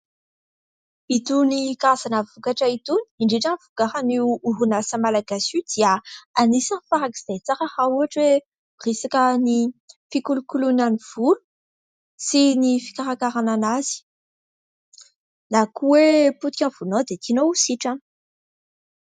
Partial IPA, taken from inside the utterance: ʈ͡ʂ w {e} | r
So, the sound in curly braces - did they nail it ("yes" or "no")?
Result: yes